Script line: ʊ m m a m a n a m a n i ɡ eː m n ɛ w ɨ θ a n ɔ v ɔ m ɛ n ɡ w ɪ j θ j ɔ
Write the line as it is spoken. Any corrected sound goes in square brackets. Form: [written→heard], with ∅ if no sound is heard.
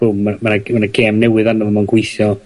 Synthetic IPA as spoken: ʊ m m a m a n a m a n [i→a] ɡ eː m n ɛ w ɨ [θ→ð] a n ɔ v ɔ m [ɛ→a] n ɡ w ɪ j θ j ɔ